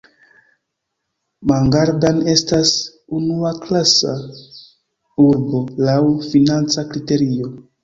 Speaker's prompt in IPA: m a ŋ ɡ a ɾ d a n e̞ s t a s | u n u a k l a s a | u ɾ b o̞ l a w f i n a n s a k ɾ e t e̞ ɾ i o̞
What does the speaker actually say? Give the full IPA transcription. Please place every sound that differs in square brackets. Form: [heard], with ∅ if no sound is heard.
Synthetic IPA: m a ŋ ɡ a ɾ d a n e̞ s t a s | u n u a k l a s a | u ɾ b o̞ l a w f i n a n [t͡s] a k ɾ [i] t e̞ ɾ i o̞